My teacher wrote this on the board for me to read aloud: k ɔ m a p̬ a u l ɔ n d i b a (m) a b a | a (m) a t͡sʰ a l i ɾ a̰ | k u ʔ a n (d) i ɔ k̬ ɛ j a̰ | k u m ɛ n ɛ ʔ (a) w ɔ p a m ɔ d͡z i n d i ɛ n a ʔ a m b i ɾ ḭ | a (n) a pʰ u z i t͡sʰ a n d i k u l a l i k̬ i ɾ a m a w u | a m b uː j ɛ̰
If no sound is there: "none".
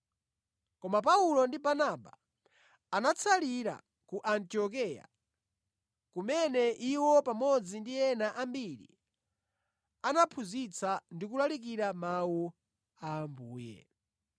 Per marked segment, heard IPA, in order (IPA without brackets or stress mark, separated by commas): n, n, t, i, n